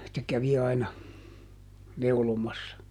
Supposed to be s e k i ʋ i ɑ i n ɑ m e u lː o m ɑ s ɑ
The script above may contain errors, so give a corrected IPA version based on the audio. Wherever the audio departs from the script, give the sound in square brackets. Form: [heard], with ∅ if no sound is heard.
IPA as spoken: s e k [æ] ʋ i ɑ i n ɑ [n] e u [l] o m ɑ [sː] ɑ